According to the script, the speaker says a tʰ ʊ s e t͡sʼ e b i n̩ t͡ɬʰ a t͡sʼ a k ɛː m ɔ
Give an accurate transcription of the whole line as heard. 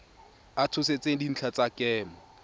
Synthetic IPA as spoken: a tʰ ʊ s e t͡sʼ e d i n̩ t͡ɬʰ a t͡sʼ a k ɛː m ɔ